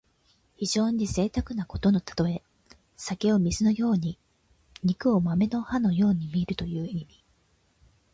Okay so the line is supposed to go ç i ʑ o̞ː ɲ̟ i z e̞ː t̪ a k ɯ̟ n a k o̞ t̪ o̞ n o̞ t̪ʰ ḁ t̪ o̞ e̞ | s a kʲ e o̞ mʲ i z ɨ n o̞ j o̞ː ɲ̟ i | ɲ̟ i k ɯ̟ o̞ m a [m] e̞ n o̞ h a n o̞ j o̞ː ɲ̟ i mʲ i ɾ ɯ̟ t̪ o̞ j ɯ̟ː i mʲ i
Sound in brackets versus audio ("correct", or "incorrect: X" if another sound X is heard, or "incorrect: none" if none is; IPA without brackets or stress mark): correct